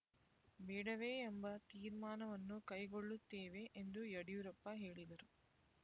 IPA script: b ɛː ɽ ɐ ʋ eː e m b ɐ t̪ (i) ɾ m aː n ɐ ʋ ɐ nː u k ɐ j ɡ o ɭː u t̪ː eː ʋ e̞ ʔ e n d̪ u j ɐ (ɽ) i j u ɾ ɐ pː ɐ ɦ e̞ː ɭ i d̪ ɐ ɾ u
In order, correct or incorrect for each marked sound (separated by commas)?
incorrect, correct